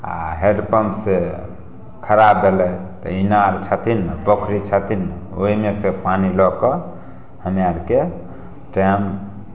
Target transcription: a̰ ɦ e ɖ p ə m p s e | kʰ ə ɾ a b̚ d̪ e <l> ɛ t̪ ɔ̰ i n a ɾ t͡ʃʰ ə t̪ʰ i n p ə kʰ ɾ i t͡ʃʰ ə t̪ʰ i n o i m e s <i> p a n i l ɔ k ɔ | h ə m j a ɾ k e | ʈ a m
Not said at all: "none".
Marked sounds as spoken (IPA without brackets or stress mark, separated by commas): l, e